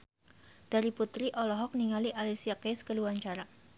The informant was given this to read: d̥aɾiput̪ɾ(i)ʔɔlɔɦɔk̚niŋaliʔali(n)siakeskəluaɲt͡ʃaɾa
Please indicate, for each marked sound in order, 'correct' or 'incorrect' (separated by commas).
correct, incorrect